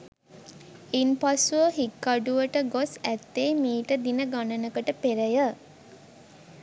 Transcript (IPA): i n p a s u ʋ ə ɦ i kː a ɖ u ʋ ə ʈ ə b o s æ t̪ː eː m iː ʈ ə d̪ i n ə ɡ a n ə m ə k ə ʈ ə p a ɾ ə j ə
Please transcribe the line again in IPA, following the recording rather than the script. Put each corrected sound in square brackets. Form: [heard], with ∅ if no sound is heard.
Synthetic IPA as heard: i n p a s u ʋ ə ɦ i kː a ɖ u ʋ ə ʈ ə [ɡ] o s æ t̪ː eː m iː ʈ ə d̪ i n ə ɡ a n ə [n] ə k ə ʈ ə p [e] ɾ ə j ə

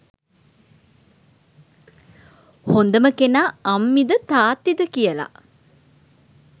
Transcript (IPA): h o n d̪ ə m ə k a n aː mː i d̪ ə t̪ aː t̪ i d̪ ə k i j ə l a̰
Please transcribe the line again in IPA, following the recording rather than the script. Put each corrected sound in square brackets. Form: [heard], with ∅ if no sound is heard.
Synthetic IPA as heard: h o n d̪ ə m ə k [e] n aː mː i d̪ ə t̪ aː t̪ i d̪ ə k i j ə l a̰

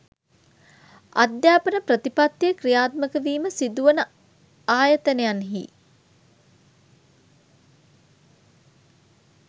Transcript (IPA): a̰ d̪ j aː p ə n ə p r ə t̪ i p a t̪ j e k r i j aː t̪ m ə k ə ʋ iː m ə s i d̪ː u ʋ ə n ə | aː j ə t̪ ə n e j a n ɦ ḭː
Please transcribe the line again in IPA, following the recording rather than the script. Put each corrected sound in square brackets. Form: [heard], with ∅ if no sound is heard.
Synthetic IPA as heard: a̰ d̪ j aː p ə n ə p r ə t̪ i p a t̪ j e k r i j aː t̪ m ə k ə ʋ iː m ə s i [d̪] u ʋ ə n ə | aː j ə t̪ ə n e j a n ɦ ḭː

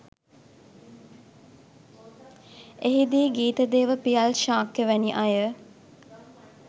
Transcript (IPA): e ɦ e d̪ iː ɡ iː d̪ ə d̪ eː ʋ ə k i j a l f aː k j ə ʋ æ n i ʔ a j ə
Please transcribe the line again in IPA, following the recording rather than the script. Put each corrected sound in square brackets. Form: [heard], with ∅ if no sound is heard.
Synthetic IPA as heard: e ɦ [i] d̪ iː ɡ iː [t̪] ə d̪ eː ʋ ə [p] i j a l [ʃ] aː k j ə ʋ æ n i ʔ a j ə

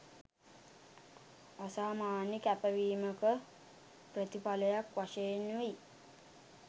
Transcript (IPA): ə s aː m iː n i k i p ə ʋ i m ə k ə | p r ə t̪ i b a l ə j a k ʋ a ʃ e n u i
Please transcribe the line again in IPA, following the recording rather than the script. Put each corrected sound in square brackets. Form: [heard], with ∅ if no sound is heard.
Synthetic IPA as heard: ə s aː m [aː] n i k [æ] p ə ʋ [iː] m ə k ə | p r ə t̪ i [p] a l ə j a k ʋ a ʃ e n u i

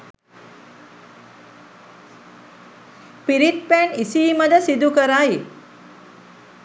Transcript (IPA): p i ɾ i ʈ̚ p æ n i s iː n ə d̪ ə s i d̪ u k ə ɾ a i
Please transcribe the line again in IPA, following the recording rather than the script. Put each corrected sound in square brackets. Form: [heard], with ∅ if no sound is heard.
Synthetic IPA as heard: p i ɾ i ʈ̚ p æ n i s iː [m] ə d̪ ə s i d̪ u k ə ɾ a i

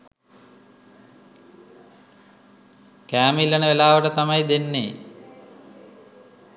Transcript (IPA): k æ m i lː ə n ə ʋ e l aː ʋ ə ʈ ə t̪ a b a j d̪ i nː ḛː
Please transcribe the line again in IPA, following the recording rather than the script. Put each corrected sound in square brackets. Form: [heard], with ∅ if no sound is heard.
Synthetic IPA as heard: k [æː] m i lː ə n ə ʋ e l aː ʋ ə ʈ ə t̪ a [m] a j d̪ [e] nː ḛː

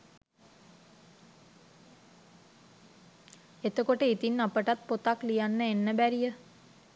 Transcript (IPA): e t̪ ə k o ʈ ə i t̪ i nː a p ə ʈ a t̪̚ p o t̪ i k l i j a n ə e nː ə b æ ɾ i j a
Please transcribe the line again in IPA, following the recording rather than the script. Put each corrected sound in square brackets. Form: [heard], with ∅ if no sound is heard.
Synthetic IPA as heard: e t̪ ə k o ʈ ə i t̪ i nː a p ə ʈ a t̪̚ p o t̪ [a] k l i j a [nː] ə e nː ə b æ ɾ i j [ə]

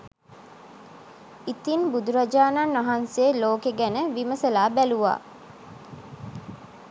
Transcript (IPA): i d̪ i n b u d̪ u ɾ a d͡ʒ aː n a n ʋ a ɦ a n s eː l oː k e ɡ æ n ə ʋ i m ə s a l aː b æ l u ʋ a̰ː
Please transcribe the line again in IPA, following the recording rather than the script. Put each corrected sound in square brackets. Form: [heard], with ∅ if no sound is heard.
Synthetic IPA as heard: i [t̪] i n b u d̪ u ɾ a d͡ʒ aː n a n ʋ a ɦ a n s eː l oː k e ɡ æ n ə ʋ i m ə s [ə] l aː b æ l u ʋ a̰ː

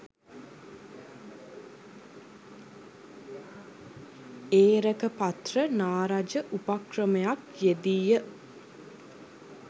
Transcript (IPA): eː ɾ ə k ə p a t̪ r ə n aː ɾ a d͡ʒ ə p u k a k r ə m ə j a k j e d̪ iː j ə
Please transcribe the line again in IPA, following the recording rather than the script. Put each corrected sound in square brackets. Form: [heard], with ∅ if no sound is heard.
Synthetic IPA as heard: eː ɾ ə k ə p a t̪ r ə n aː ɾ a d͡ʒ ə [ʔ] u [p] a k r ə m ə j a k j e d̪ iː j ə

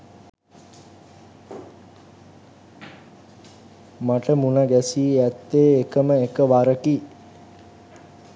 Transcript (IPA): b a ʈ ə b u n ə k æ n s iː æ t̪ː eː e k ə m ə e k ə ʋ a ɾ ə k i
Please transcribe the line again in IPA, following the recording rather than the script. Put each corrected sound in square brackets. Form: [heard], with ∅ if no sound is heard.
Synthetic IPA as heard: [m] a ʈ ə [m] u n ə [ɡ] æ [∅] s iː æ t̪ː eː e k ə m ə e k ə ʋ a ɾ ə k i

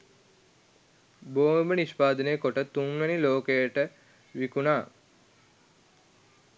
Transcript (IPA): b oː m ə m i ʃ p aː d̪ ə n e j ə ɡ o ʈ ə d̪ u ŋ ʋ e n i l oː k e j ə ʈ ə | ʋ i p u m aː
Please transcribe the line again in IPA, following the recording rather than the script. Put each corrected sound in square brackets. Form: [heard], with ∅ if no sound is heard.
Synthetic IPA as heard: b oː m ə [n] i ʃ p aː d̪ ə n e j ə [k] o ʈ ə [t̪] u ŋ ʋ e n i l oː k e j ə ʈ ə | ʋ i [k] u [n] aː

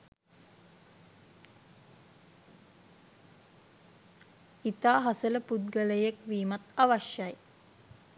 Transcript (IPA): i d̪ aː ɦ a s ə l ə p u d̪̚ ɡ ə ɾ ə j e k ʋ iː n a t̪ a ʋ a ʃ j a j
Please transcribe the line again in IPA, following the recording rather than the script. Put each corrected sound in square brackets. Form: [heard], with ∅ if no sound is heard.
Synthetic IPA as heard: i [t̪] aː ɦ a s ə l ə p u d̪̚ ɡ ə [l] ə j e k ʋ iː [m] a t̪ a ʋ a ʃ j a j

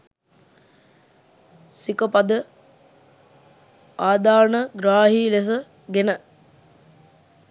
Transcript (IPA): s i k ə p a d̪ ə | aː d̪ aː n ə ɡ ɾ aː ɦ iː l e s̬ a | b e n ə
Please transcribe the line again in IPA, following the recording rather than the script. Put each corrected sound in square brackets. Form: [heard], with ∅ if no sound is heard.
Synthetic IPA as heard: s i k ə p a d̪ ə | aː d̪ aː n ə ɡ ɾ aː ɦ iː l e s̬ [ə] | [ɡ] e n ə

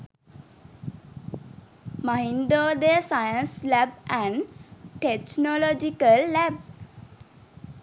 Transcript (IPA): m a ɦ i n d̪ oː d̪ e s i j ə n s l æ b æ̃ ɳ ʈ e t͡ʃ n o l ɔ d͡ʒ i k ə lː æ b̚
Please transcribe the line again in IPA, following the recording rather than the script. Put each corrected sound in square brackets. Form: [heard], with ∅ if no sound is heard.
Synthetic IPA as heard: m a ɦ i n d̪ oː d̪ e s [a] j ə n s l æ b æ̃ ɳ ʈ e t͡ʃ n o l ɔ d͡ʒ i k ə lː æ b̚

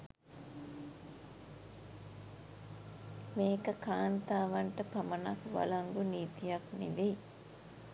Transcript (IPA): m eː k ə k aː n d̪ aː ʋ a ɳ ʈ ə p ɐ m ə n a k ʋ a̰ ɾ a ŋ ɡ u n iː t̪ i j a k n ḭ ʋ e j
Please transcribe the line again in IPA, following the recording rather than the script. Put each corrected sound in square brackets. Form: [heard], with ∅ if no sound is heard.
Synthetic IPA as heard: m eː k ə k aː n [t̪] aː ʋ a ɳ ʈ ə p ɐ m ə n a k ʋ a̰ [l] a ŋ ɡ u n iː t̪ i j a k n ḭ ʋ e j

